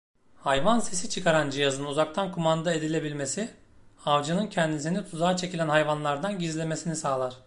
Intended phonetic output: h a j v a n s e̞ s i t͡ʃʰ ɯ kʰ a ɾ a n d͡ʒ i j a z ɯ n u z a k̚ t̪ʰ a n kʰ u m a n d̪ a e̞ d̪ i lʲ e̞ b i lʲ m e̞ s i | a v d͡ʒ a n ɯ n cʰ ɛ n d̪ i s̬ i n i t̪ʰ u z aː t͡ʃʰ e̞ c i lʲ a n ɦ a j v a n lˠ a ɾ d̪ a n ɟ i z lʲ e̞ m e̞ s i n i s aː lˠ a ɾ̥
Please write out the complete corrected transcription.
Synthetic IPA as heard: h a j v a n s e̞ s i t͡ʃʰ ɯ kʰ a ɾ a n d͡ʒ i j a z ɯ n u z a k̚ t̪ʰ a n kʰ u m a n d̪ a e̞ d̪ i lʲ e̞ b i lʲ m e̞ s i | a v d͡ʒ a n ɯ n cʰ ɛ n d̪ i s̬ i n i t̪ʰ u z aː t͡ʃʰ e̞ c i lʲ æ n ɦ a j v a n lˠ a ɾ d̪ a n ɟ i z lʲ e̞ m e̞ s i n i s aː lˠ a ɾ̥